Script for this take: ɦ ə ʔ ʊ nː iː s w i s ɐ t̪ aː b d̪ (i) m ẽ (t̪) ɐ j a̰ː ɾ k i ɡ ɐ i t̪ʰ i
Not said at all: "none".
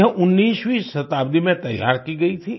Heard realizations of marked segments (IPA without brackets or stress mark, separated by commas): i, t̪